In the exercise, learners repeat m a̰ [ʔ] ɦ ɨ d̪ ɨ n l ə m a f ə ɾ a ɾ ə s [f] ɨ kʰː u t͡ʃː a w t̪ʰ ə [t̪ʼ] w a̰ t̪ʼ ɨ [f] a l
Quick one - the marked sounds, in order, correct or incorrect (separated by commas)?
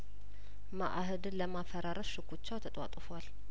correct, incorrect, correct, correct